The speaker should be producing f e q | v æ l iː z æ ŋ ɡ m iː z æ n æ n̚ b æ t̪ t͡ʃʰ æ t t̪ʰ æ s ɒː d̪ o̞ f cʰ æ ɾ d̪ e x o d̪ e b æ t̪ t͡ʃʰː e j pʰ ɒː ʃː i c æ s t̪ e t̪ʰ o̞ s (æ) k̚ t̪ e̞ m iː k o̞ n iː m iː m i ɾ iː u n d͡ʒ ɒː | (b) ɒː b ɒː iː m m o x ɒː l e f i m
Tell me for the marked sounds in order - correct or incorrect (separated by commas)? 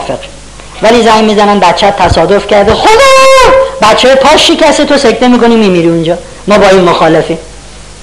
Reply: incorrect, incorrect